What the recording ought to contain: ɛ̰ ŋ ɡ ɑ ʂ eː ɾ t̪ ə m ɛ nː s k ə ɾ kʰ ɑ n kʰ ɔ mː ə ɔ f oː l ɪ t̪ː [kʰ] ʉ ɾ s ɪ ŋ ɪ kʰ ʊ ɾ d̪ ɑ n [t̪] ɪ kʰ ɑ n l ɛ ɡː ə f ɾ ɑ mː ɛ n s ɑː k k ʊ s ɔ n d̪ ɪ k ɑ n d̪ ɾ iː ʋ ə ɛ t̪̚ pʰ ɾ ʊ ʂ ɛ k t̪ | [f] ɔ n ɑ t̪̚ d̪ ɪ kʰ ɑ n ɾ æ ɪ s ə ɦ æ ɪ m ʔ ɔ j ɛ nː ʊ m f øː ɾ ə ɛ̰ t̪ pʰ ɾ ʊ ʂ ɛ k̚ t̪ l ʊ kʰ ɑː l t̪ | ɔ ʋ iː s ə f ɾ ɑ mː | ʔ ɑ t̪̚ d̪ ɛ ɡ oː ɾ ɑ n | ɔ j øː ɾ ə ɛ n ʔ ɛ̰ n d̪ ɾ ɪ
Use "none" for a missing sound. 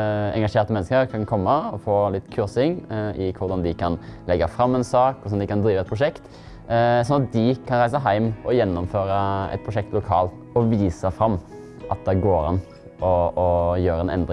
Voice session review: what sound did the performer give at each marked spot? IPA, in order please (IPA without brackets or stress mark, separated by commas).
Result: kʰ, d̪, s